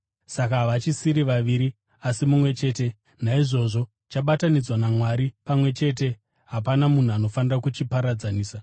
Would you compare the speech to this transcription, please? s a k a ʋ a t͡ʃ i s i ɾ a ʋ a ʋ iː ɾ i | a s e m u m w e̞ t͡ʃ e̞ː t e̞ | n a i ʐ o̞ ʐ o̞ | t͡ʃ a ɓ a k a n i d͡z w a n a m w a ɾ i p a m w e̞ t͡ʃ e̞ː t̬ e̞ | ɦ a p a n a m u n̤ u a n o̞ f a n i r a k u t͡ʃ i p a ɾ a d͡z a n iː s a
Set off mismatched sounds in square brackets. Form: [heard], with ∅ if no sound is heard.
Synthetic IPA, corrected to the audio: s a k a ʋ a t͡ʃ i s i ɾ [i] ʋ a ʋ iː ɾ i | a s [i] m u m w e̞ t͡ʃ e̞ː t e̞ | n a i ʐ o̞ ʐ o̞ | t͡ʃ a ɓ a [t] a n i d͡z w a n a m w a ɾ i p a m w e̞ t͡ʃ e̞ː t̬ e̞ | ɦ a p a n a m u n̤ u a n o̞ f a n i r a k u t͡ʃ i p a ɾ a d͡z a n iː s a